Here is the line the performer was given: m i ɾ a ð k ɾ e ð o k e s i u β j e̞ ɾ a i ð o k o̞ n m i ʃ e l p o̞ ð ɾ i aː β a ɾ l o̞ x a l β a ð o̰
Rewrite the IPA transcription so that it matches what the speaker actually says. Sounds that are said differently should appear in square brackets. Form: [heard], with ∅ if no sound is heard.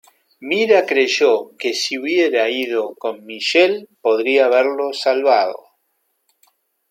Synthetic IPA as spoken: m i ɾ a [∅] k ɾ e [ʒ] o k e s i u β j e̞ ɾ a i ð o k o̞ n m i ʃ e l p o̞ ð ɾ i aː β [e] ɾ l o̞ [s] a l β a ð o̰